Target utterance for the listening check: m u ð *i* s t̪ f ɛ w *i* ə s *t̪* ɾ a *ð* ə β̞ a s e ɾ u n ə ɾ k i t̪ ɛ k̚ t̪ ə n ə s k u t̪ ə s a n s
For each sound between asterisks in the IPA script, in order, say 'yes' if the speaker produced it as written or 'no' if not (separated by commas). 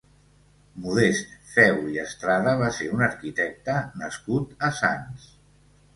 no, yes, yes, yes